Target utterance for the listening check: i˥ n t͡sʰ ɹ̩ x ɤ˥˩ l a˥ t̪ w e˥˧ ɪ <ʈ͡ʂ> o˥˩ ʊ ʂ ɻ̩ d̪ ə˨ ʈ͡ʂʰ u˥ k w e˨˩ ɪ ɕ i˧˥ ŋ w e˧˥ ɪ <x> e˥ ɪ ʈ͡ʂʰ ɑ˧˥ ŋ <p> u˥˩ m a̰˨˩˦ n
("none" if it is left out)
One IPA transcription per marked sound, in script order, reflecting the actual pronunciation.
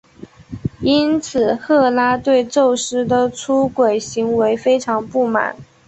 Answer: ʈ͡ʂ, f, p

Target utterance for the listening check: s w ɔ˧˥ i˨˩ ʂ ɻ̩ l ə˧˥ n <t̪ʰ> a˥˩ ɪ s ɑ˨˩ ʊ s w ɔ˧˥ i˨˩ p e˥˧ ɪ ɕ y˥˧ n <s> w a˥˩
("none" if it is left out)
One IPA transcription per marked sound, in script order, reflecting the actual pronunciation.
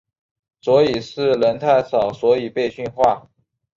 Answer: t̪ʰ, x

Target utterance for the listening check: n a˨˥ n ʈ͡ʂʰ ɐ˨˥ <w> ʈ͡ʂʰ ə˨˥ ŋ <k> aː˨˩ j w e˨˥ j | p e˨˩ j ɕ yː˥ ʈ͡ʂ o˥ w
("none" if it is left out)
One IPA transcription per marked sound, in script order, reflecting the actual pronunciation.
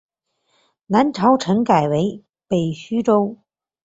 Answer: w, k

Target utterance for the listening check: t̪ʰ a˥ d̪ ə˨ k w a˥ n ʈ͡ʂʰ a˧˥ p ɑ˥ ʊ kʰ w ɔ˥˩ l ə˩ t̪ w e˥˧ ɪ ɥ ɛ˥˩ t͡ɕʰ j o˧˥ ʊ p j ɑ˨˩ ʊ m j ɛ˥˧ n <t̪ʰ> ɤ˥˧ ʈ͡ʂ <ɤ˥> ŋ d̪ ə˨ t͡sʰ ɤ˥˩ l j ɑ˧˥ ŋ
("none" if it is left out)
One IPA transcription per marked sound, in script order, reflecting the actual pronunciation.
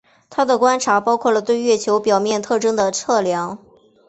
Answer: t̪ʰ, ɤ˥

